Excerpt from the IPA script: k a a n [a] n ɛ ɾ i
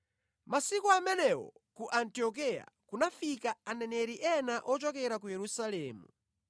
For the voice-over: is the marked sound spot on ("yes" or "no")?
no